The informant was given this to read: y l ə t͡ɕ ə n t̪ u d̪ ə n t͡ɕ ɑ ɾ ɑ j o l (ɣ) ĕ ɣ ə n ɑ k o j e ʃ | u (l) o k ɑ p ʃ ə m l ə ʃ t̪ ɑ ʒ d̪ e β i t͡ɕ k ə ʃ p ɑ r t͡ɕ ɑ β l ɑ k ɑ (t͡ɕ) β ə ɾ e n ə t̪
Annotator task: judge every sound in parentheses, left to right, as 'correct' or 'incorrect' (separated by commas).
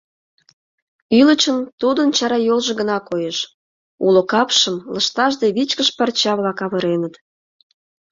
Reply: incorrect, correct, incorrect